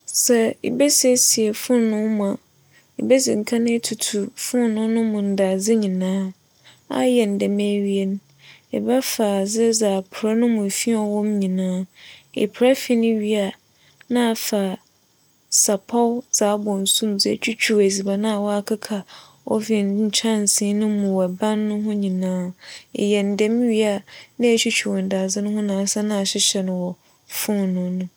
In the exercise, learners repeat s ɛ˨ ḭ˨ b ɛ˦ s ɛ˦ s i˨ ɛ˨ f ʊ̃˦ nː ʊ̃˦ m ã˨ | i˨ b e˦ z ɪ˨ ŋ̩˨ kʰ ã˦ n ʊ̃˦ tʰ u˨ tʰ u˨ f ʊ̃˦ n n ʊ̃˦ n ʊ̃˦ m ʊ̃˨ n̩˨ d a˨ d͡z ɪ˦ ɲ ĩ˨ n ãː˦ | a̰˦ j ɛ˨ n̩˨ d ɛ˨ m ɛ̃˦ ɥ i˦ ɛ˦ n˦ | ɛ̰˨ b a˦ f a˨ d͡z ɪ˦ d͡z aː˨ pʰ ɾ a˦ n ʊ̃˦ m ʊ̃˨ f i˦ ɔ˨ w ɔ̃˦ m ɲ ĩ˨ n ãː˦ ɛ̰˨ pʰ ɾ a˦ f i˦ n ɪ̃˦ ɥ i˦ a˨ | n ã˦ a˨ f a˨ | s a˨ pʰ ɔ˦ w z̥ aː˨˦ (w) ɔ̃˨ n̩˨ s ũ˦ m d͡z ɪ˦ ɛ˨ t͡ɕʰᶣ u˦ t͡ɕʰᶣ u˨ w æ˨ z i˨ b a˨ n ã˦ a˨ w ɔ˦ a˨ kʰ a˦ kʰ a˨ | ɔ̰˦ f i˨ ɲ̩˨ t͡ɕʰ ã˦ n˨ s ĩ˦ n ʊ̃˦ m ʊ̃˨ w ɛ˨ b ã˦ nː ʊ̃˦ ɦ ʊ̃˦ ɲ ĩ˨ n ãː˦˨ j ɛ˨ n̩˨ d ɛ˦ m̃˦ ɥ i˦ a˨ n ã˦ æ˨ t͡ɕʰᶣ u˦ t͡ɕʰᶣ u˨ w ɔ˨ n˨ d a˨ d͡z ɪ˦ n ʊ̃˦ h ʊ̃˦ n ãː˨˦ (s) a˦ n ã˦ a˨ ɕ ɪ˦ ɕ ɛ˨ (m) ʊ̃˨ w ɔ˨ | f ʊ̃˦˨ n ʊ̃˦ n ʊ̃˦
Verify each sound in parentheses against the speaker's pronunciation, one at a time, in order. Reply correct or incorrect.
incorrect: b, correct, incorrect: n

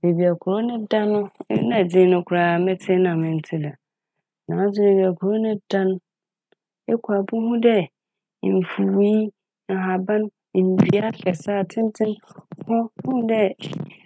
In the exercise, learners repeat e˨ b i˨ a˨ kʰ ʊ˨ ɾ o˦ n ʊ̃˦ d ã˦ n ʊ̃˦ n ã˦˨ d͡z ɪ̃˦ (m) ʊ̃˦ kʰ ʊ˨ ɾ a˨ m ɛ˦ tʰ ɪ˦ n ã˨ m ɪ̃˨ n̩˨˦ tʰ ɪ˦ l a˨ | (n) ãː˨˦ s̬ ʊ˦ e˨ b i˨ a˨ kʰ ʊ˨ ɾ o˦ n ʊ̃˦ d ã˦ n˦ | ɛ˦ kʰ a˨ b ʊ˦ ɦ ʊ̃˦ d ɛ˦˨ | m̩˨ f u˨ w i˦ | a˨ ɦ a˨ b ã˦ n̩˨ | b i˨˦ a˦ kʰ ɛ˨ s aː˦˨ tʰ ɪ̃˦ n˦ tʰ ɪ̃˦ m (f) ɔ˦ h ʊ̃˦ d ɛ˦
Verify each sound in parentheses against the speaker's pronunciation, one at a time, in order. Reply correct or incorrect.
incorrect: n, correct, incorrect: h

